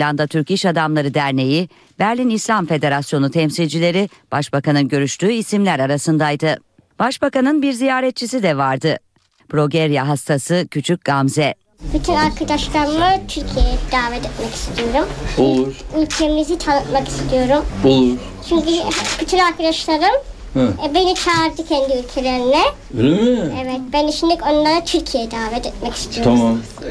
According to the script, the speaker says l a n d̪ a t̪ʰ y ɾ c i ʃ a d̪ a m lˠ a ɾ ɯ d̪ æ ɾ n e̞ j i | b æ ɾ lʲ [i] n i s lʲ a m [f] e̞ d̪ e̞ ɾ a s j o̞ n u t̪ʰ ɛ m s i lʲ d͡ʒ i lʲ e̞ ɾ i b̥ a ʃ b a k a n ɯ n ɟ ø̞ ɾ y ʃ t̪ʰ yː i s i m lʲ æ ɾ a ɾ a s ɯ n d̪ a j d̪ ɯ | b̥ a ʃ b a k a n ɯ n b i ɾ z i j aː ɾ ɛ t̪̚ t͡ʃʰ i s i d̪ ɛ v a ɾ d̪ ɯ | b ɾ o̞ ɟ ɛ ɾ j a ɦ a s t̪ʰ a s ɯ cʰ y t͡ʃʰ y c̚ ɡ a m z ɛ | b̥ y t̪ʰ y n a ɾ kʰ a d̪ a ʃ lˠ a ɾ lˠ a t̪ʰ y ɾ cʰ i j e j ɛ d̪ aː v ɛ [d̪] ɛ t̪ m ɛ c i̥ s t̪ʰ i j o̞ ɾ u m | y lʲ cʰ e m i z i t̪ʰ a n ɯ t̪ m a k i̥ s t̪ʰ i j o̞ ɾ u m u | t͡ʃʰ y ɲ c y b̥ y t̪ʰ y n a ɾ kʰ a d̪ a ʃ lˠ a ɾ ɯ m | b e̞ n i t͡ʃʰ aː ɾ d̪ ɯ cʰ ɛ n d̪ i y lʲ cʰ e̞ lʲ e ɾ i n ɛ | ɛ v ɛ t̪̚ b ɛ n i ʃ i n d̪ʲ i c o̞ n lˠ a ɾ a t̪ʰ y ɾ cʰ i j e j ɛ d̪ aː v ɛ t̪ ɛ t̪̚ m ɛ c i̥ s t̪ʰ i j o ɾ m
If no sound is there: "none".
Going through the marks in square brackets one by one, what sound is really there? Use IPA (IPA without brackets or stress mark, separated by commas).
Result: i, f, t̪